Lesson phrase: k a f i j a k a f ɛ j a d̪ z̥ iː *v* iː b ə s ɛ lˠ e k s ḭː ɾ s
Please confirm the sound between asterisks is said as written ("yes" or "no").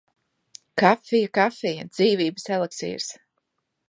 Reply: yes